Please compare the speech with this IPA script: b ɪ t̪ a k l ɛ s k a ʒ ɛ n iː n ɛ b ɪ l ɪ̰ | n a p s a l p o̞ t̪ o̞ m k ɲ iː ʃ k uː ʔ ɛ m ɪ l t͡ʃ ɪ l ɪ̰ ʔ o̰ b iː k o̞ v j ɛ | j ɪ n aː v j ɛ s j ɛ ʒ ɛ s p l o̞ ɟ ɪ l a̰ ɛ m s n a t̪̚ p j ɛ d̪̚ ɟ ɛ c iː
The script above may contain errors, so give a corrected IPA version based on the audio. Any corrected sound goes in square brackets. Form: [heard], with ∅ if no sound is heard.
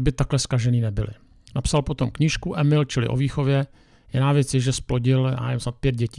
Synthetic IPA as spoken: b ɪ t̪ a k l ɛ s k a ʒ ɛ n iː n ɛ b ɪ l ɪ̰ | n a p s a l p o̞ t̪ o̞ m k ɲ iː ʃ k [u] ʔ ɛ m ɪ l t͡ʃ ɪ l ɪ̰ ʔ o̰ [v] iː [x] o̞ v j ɛ | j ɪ n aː v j ɛ [t͡s] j ɛ ʒ ɛ s p l o̞ ɟ ɪ l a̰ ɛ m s n a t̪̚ p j ɛ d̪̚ ɟ ɛ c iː